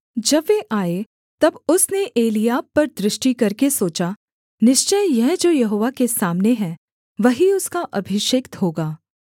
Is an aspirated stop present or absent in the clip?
absent